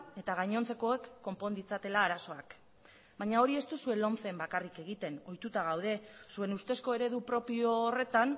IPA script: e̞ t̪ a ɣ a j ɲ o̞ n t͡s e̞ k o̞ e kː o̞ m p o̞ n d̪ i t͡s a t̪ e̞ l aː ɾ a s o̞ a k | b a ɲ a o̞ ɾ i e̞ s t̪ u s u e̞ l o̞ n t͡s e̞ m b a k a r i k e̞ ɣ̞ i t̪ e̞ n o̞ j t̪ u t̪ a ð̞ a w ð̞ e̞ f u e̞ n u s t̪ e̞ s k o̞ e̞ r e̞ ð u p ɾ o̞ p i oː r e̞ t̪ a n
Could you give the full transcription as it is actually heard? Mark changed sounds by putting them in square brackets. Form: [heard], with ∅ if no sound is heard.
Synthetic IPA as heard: e̞ t̪ a ɣ a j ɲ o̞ n t͡s e̞ k o̞ e kː o̞ m p o̞ n d̪ i t͡s a t̪ e̞ l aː ɾ a s o̞ a k | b a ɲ a o̞ ɾ i e̞ s t̪ u s u e̞ l o̞ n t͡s e̞ m b a k a r i k e̞ ɣ̞ i t̪ e̞ n o̞ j t̪ u t̪ a [ɣ̞] a w ð̞ e̞ [s] u e̞ n u s t̪ e̞ s k o̞ e̞ [ɾ] e̞ ð u p ɾ o̞ p i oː r e̞ t̪ a n